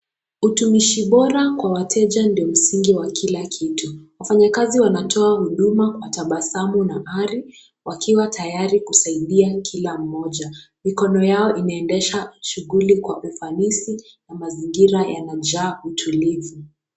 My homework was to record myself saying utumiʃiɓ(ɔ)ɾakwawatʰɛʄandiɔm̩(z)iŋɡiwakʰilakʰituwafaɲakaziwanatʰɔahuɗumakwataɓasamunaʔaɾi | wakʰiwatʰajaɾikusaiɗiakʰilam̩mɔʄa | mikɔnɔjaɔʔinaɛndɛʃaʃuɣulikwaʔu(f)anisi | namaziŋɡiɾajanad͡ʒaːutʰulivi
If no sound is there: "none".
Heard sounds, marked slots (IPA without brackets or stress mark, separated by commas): ɔ, s, f